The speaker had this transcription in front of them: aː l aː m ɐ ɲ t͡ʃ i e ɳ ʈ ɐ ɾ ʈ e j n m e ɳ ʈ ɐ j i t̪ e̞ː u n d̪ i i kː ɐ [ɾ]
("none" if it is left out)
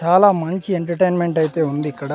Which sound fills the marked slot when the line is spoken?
ɽ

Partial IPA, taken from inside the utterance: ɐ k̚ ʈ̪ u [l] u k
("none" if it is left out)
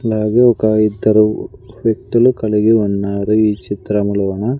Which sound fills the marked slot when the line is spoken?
l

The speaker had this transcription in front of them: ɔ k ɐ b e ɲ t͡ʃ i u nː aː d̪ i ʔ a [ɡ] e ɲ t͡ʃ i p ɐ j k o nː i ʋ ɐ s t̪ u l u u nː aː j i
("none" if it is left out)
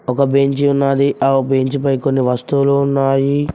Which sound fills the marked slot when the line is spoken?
b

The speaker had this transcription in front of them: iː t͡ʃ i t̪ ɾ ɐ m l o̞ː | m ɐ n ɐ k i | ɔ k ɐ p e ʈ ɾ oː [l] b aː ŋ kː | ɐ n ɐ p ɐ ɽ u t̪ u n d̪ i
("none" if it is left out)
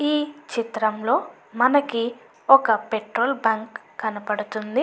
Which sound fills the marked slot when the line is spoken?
l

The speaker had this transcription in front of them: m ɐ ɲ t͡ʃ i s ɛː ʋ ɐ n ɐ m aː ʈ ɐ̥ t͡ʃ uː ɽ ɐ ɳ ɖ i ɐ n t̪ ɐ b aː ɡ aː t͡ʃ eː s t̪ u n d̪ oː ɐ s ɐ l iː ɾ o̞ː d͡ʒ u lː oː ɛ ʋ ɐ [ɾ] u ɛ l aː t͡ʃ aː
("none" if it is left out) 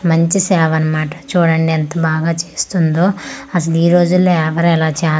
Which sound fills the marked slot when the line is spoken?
ɾ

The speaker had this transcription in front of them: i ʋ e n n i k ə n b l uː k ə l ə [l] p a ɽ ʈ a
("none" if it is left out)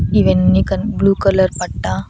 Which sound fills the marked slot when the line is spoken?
ɾ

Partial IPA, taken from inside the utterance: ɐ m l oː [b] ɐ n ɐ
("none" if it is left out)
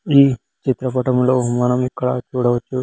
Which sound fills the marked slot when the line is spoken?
m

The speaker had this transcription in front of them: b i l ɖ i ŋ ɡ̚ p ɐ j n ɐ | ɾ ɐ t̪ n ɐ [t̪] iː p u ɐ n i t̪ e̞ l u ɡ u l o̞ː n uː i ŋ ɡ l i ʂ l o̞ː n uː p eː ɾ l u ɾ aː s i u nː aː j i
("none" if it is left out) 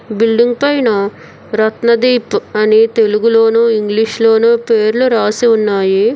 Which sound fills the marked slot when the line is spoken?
d̪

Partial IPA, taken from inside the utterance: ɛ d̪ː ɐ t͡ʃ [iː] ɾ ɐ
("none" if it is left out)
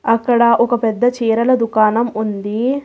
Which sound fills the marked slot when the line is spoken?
iː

